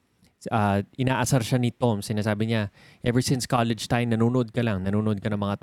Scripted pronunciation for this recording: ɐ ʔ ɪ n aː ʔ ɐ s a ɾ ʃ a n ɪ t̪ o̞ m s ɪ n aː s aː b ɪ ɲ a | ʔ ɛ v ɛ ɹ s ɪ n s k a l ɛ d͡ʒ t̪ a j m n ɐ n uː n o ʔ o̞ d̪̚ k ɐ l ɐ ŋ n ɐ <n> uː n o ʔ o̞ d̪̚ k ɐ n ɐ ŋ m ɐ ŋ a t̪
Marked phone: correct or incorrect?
correct